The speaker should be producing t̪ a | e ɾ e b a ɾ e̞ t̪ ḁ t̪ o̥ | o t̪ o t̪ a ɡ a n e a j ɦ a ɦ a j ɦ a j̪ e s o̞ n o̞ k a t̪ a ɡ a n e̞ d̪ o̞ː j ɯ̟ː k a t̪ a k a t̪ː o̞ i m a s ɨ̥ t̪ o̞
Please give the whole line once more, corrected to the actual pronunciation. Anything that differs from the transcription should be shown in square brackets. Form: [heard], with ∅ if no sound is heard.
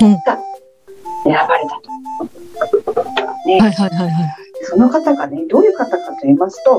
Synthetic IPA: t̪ a | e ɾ [a] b a ɾ e̞ t̪ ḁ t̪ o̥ | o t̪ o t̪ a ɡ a n e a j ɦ a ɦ a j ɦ a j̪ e s o̞ n o̞ k a t̪ a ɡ a n e̞ d̪ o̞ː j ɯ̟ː k a t̪ a k a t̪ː o̞ i m a s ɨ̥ t̪ o̞